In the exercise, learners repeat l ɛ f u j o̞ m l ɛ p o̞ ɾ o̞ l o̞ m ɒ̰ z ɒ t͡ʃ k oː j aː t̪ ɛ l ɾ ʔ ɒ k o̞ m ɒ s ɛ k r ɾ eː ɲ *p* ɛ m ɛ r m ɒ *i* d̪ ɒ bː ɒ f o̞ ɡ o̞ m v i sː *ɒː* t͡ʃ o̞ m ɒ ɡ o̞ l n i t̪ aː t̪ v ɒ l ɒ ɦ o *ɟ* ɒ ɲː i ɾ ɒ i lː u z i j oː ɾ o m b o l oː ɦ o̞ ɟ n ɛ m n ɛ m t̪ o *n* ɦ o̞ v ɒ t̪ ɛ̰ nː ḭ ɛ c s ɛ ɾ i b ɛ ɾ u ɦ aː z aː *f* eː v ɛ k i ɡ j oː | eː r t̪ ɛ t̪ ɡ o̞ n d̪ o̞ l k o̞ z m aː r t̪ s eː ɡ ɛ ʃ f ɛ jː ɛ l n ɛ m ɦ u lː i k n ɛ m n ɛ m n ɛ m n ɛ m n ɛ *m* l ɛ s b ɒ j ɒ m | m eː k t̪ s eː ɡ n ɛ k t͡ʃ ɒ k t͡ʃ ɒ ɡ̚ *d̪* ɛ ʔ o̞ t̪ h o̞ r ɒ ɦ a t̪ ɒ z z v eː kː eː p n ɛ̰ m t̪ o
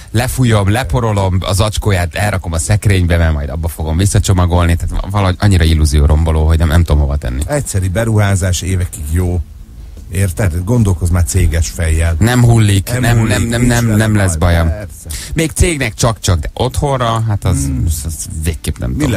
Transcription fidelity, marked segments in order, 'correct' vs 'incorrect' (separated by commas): incorrect, incorrect, incorrect, correct, incorrect, incorrect, correct, correct